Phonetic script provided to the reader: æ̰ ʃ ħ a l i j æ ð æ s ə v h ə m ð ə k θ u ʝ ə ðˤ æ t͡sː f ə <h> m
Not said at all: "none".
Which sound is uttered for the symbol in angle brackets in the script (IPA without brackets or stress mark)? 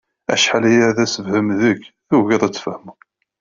h